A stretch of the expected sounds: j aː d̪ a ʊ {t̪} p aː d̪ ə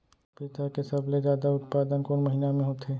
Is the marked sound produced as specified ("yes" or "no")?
yes